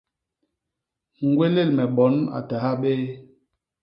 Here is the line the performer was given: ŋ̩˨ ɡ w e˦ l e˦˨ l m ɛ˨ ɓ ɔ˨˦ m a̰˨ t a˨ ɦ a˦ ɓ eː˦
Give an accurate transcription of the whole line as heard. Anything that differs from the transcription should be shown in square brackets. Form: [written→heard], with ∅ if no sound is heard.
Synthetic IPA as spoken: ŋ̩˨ ɡ w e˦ l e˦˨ l m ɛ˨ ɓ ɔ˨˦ [m→n] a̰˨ t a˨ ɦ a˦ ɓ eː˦